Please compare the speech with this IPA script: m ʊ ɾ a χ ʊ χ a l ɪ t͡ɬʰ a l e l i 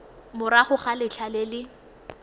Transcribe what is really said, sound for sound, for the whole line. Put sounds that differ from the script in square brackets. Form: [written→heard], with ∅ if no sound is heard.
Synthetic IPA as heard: m ʊ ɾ a χ ʊ χ a l ɪ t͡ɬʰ a l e l [i→ɪ]